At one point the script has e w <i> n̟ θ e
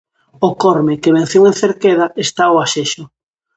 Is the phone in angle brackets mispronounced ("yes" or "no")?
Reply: yes